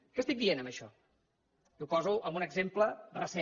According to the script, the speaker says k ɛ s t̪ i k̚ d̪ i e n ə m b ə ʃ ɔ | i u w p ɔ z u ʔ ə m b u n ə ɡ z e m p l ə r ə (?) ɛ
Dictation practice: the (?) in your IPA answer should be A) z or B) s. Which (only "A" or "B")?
B